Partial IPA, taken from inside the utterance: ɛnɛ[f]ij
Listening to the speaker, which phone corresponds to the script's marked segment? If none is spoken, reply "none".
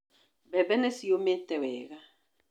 s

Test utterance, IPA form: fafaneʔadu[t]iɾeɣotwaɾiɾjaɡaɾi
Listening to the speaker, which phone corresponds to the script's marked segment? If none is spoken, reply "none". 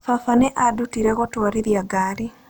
t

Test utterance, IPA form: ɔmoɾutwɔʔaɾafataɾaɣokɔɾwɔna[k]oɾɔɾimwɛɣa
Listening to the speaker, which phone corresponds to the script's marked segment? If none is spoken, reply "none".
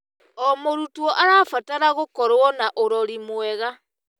ʔ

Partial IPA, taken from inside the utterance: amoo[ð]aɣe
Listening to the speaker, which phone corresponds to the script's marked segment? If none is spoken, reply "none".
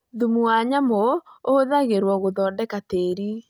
ð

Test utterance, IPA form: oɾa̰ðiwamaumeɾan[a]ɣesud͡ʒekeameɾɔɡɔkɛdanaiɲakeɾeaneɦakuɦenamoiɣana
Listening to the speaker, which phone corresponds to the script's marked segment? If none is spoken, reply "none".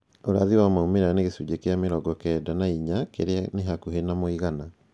e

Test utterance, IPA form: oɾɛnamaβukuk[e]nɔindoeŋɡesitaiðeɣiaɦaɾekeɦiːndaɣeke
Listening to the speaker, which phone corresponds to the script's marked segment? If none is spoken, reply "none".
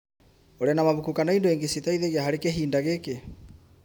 a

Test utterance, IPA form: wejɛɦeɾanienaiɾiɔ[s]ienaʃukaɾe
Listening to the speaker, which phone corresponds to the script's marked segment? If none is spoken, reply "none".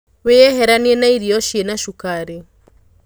ʃ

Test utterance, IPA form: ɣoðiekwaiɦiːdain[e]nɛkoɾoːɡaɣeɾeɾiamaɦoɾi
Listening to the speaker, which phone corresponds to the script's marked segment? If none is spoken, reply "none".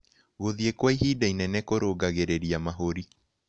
ɛ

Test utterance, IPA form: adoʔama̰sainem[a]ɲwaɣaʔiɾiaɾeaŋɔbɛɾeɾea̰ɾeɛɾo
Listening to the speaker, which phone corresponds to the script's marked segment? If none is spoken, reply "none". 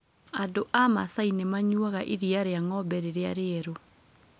a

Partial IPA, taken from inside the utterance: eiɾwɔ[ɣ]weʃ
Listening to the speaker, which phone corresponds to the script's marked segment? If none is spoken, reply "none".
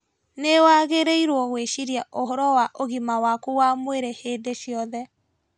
ɣ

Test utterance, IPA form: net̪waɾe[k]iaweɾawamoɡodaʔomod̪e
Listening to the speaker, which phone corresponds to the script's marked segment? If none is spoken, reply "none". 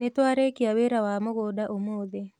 k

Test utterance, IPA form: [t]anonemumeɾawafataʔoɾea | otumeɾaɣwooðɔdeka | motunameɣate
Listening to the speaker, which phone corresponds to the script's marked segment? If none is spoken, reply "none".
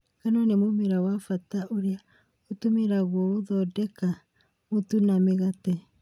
k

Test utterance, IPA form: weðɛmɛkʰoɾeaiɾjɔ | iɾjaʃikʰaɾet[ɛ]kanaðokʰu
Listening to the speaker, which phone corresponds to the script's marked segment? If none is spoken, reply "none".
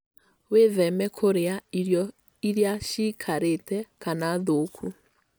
ɛ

